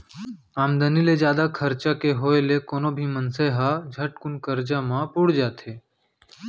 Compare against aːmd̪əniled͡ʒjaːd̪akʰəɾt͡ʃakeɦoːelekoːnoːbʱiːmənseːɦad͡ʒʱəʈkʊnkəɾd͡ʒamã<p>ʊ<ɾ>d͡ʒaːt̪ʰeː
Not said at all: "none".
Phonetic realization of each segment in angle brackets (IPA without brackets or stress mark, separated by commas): p, ɽ